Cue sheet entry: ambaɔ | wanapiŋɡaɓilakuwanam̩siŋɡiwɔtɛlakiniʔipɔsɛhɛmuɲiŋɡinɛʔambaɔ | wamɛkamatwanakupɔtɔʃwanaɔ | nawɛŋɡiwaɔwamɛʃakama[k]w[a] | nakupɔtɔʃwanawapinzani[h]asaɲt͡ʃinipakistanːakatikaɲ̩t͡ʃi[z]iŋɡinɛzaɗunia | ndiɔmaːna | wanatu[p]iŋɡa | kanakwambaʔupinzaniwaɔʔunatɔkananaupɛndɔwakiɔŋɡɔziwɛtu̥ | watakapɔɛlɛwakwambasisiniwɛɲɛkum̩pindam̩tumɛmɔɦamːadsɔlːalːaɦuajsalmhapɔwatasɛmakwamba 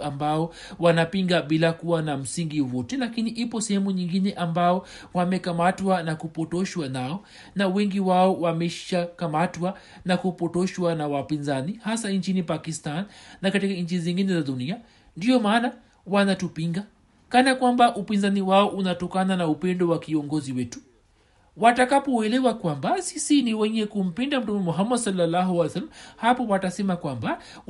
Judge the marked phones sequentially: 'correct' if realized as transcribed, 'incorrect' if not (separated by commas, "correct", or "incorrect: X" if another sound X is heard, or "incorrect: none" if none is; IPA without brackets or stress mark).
incorrect: t, correct, correct, correct, correct